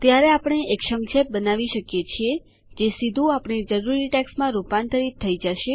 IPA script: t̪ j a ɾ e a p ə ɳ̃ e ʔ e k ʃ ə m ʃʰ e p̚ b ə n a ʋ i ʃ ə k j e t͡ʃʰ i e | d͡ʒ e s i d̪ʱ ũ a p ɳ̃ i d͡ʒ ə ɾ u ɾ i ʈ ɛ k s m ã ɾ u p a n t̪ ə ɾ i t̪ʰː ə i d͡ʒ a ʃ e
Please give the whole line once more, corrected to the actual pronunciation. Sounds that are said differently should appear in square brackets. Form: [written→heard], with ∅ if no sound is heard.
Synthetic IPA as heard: t̪ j a ɾ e a p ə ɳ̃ e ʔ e k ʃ ə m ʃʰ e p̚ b ə n a ʋ i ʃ ə k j e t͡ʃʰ i e | d͡ʒ e s i d̪ʱ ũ a p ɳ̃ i d͡ʒ ə ɾ u ɾ i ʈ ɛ k s m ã ɾ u p a n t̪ ə ɾ i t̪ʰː ə i d͡ʒ a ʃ e